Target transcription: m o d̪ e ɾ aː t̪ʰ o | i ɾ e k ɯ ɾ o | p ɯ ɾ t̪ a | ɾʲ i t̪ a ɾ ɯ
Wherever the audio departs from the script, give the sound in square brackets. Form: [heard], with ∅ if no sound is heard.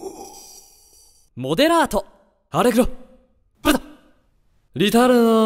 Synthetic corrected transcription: m o d̪ e ɾ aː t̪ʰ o | [a] ɾ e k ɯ ɾ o | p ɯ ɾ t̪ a | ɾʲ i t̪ a ɾ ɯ